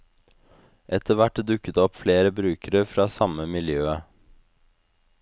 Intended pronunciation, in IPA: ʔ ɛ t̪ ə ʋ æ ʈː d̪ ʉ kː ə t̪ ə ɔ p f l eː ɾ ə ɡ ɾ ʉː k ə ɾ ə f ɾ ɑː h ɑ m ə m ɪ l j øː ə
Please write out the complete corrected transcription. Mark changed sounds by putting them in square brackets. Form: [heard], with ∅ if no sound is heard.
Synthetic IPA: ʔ ɛ t̪ ə ʋ æ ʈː d̪ ʉ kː ə t̪ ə ɔ p f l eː ɾ ə [b] ɾ ʉː k ə ɾ ə f ɾ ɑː [s] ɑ m ə m ɪ l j øː ə